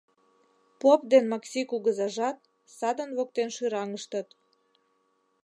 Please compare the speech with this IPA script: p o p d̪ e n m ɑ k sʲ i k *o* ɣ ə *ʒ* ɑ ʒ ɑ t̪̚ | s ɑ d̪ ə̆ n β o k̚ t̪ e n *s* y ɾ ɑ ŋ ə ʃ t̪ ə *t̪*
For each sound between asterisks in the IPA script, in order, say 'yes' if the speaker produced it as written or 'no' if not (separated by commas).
no, no, no, yes